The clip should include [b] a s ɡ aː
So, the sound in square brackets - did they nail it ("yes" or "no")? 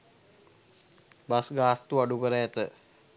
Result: yes